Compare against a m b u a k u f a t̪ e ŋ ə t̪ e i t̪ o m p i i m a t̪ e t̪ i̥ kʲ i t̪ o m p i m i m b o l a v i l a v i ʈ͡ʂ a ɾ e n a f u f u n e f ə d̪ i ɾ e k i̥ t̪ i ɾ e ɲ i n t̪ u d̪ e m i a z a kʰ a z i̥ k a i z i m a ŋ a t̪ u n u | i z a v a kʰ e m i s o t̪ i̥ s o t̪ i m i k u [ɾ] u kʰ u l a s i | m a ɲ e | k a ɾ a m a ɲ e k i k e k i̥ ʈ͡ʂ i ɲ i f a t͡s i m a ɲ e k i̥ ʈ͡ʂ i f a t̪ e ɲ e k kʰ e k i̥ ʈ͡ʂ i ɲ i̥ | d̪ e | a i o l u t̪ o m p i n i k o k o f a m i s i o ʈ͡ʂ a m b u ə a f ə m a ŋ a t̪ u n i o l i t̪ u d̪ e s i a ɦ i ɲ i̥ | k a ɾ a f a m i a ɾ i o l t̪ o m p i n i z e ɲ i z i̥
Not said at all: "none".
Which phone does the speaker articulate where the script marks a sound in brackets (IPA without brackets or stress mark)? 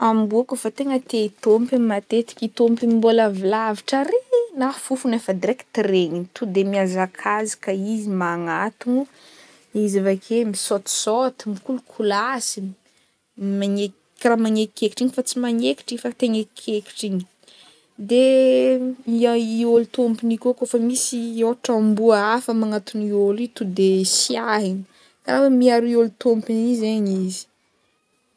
l